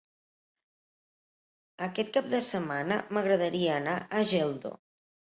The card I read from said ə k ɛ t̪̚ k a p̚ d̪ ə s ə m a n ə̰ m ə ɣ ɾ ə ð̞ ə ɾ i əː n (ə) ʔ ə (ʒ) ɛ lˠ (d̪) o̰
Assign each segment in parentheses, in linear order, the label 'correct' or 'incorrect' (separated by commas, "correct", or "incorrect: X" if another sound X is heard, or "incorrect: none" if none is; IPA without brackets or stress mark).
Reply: incorrect: a, correct, correct